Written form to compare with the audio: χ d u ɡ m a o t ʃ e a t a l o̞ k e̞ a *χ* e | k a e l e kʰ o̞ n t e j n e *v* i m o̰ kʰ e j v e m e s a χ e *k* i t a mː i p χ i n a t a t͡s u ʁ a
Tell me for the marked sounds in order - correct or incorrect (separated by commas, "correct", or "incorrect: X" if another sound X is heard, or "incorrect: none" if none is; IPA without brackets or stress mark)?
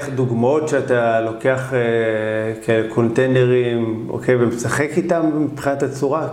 correct, incorrect: ʁ, correct